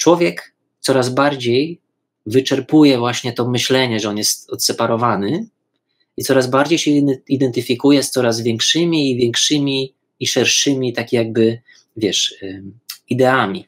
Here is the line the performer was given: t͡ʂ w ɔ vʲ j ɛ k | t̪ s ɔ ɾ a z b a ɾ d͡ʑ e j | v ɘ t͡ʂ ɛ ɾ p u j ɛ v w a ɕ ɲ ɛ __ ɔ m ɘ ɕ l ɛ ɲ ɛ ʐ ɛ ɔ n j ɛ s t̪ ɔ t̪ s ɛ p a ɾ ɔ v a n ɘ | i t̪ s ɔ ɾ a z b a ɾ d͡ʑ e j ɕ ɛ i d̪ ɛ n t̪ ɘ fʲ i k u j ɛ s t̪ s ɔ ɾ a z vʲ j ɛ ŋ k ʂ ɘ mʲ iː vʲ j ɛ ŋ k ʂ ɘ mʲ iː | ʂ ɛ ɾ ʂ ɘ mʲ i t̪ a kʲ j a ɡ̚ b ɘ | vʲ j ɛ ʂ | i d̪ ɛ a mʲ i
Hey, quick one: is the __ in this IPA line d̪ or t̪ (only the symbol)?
t̪